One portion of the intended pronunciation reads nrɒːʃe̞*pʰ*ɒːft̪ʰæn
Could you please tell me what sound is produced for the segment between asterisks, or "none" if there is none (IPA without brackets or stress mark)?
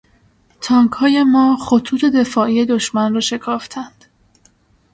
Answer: kʰ